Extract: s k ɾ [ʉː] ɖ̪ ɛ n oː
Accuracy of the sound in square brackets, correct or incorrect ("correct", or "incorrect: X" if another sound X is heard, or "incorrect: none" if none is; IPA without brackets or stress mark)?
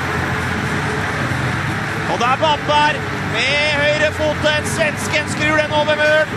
correct